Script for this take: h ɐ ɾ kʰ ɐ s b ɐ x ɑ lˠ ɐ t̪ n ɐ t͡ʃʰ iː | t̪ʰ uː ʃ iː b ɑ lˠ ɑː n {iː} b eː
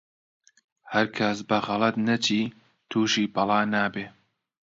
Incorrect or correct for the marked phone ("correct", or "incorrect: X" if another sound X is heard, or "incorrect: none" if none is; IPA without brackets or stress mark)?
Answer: incorrect: aː